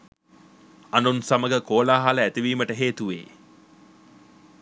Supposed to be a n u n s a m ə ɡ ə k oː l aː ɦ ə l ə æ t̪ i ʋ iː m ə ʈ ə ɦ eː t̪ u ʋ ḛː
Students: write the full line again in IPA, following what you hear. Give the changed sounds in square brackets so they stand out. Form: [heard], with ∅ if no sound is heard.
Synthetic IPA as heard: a n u n s a m ə ɡ ə k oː l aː ɦ [a] l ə æ t̪ i ʋ iː m ə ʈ ə ɦ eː t̪ u ʋ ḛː